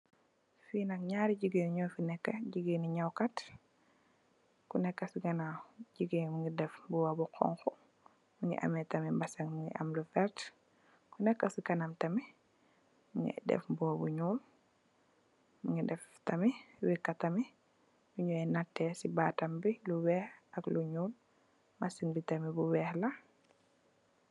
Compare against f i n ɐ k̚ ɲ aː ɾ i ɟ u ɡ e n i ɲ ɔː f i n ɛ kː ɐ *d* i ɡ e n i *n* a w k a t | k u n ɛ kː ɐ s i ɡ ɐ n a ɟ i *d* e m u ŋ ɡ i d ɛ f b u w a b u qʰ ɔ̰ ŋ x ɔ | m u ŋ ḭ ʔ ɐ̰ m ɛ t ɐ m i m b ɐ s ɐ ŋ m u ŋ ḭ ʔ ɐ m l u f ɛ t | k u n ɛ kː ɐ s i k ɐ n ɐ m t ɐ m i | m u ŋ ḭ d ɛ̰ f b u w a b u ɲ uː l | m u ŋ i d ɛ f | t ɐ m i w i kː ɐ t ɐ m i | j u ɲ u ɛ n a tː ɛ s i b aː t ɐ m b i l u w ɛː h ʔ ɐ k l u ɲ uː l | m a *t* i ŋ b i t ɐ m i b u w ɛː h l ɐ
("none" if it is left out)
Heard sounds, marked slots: ɟ, ɲ, ɡ, s

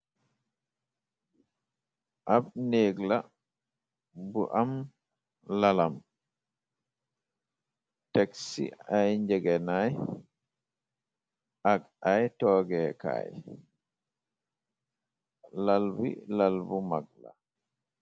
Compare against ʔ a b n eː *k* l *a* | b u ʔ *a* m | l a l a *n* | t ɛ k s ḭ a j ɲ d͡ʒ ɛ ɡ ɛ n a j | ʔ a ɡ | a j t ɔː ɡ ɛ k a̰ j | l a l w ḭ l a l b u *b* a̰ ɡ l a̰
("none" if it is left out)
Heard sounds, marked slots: ɡ, a, a, m, m

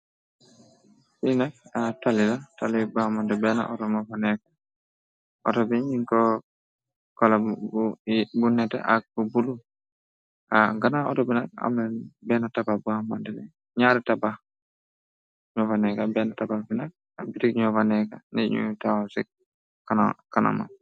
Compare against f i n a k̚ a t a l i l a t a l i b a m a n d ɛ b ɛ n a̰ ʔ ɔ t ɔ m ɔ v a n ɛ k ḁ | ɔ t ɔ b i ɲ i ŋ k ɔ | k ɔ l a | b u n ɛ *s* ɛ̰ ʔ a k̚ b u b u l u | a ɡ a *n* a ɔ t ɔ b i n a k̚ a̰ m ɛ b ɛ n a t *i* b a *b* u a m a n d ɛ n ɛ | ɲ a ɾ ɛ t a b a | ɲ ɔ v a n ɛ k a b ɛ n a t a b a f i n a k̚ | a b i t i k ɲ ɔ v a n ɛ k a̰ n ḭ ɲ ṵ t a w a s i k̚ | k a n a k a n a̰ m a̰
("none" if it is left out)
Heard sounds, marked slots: t, n, a, b

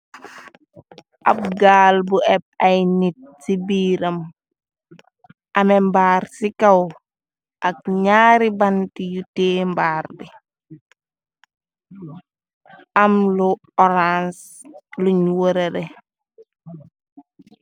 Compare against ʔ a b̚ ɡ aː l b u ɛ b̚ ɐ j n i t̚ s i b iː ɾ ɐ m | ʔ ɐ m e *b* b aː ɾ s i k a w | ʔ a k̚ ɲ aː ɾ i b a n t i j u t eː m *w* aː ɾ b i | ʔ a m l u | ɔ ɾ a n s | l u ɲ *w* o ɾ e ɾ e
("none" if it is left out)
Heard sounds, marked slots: m, b, w

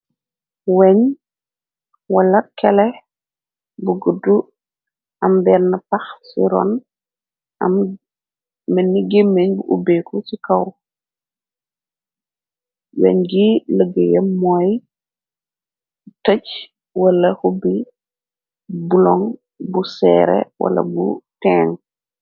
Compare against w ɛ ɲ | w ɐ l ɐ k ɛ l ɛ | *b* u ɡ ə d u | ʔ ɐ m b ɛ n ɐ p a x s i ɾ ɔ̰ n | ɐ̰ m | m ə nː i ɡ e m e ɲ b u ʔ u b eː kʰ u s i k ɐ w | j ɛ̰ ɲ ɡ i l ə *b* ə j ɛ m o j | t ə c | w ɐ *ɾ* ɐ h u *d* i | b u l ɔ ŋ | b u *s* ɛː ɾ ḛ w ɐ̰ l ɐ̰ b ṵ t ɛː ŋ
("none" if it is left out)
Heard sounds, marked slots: b, ɡ, l, b, s

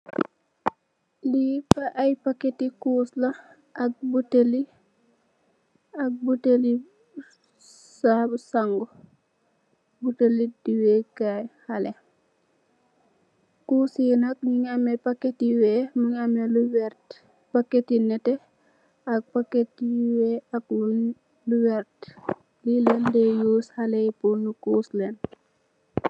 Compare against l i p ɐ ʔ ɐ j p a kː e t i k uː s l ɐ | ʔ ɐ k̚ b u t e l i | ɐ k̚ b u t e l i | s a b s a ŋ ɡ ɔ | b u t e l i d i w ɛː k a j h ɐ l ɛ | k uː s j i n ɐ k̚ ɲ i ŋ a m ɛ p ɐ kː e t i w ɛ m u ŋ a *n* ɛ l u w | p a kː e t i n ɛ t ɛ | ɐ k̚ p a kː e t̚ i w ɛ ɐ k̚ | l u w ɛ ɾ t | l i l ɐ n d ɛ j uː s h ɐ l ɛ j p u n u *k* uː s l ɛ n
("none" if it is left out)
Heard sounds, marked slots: m, k

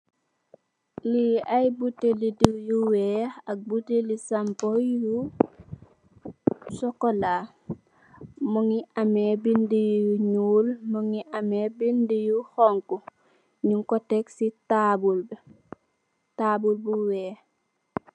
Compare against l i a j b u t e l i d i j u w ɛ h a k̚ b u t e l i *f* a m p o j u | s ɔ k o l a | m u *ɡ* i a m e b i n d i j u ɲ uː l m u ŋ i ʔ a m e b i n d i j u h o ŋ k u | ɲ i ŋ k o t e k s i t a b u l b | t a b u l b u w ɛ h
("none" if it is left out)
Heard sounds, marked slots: s, ŋ

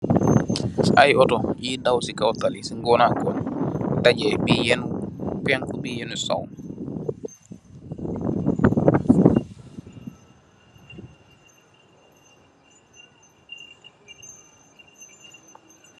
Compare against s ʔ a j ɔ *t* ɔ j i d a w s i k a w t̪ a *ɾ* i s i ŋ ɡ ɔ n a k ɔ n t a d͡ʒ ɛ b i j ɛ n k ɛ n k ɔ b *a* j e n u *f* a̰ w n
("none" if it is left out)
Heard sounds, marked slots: t, l, i, s

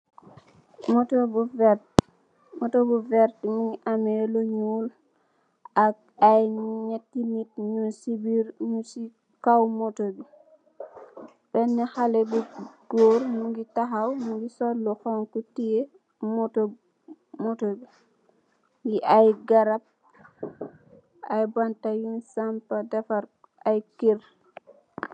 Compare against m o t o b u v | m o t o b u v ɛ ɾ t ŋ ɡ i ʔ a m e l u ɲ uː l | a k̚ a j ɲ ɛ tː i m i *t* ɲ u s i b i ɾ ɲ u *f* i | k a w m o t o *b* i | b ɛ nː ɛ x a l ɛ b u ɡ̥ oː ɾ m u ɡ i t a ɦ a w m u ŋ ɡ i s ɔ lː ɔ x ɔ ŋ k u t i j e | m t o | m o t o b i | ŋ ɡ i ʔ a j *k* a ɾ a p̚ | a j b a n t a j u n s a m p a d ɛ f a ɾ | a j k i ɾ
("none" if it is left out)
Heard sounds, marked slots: t, s, b, ɡ

